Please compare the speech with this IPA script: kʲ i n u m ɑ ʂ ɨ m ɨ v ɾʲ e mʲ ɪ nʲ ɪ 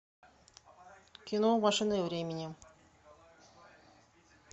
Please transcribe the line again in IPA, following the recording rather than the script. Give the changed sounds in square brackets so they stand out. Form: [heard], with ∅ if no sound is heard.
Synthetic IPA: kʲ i n [o] m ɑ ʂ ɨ [n] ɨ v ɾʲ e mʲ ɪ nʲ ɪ